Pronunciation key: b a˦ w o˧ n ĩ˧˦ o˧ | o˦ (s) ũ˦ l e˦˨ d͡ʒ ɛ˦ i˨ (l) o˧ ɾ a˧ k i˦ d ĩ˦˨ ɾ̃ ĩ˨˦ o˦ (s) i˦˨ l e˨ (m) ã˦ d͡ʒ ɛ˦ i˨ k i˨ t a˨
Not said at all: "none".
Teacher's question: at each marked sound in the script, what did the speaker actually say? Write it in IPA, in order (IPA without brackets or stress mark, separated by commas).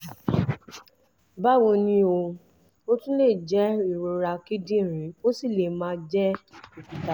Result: t, ɾ, s, m